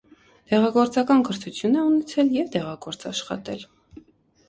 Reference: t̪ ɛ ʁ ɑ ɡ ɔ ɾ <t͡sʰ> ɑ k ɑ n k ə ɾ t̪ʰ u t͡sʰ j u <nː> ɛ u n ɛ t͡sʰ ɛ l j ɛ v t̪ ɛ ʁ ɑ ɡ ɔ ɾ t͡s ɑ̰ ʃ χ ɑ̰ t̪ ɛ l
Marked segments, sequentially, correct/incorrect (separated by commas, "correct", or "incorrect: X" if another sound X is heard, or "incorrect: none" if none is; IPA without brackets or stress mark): incorrect: t͡s, incorrect: n